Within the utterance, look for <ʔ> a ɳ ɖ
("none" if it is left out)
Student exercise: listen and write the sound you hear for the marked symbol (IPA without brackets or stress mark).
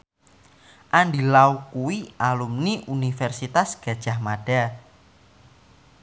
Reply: ʔ